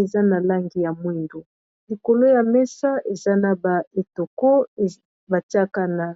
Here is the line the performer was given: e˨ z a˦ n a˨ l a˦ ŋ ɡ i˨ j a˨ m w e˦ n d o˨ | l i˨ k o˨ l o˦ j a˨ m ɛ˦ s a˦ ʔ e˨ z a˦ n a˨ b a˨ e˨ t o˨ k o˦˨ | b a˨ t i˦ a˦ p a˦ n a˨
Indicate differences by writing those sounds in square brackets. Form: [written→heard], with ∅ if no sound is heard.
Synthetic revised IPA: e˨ z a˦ n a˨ l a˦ ŋ ɡ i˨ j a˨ m w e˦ n d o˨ | l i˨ k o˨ l o˦ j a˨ m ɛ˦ s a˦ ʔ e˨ z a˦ n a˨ b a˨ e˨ t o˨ k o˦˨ | b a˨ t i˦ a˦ [p→k] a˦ n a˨